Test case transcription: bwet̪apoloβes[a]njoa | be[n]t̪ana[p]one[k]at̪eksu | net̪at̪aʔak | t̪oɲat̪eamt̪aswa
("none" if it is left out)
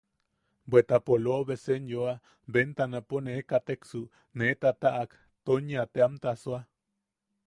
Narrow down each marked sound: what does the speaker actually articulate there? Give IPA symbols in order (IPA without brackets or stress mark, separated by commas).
e, n, p, k